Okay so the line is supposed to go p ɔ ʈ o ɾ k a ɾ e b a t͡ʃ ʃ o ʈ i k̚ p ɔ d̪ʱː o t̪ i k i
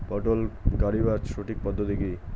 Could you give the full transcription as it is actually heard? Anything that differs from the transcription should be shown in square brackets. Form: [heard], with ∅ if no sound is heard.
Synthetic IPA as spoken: p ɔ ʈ o [l] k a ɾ [i] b a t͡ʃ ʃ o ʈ i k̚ p ɔ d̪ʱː o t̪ i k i